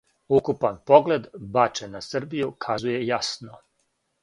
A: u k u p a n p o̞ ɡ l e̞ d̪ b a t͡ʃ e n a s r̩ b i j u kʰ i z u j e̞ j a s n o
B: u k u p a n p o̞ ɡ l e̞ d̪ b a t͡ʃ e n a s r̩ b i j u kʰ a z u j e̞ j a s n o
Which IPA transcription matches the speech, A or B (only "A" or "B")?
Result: B